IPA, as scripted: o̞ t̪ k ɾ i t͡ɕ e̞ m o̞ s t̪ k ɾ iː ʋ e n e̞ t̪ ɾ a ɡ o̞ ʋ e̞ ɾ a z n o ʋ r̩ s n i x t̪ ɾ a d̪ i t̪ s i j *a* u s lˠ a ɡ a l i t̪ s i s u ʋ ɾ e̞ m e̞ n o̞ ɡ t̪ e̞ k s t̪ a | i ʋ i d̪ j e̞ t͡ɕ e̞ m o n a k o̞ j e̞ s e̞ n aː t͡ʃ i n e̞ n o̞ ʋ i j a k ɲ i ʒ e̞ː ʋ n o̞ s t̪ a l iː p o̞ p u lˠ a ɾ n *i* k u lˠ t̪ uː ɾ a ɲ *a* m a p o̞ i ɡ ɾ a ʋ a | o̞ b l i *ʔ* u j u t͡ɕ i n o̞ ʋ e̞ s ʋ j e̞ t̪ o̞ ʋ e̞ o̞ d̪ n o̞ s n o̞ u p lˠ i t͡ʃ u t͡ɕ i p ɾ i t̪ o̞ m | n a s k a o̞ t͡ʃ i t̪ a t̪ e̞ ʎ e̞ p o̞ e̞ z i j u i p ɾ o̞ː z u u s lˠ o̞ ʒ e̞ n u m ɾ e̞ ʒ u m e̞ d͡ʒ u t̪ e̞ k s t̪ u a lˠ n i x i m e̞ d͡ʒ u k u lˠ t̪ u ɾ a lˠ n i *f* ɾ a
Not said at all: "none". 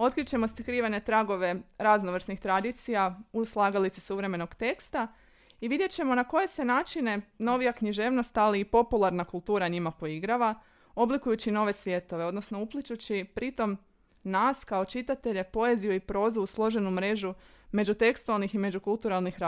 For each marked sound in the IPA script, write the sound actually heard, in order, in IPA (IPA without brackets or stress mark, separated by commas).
a, a, i, k, x